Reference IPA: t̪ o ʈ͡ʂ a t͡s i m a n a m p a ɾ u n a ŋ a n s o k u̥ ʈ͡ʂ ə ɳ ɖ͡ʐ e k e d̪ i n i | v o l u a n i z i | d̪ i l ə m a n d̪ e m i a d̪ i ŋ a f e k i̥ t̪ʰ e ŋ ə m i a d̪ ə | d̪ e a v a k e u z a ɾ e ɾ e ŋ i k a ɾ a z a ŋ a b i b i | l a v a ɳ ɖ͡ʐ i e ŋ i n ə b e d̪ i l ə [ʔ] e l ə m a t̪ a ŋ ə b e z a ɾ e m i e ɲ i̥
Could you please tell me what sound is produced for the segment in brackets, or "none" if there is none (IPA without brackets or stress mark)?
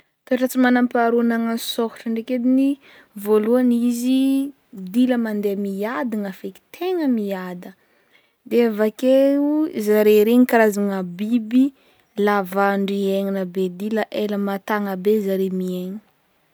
ʔ